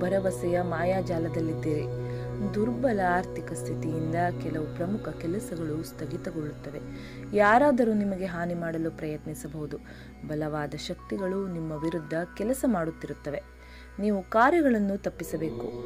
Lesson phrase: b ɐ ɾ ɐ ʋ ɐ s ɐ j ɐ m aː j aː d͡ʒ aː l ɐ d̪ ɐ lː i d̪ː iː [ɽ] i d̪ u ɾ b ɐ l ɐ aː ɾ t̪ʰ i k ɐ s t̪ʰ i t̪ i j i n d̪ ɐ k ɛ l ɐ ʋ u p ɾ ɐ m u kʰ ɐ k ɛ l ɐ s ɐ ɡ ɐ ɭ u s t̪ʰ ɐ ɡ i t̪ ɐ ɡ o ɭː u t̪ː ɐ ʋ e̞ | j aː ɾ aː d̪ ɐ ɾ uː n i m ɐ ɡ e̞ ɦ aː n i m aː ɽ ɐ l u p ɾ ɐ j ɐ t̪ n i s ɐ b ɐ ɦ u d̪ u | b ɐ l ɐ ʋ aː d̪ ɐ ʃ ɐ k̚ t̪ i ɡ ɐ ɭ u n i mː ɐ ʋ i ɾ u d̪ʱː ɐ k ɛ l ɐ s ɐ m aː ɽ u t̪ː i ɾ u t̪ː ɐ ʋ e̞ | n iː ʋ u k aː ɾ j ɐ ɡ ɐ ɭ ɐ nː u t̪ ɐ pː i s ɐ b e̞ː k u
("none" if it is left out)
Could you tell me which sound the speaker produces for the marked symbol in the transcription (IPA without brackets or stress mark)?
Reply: ɾ